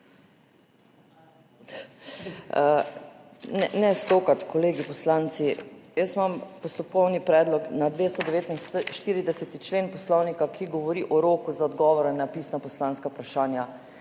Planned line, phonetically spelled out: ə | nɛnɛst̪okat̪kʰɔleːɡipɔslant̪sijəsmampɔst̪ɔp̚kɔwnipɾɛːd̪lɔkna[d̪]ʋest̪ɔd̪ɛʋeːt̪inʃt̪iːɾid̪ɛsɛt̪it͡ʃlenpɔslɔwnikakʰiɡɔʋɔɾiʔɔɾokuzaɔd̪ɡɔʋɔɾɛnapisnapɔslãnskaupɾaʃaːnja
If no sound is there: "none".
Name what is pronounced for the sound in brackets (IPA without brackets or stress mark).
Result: d̪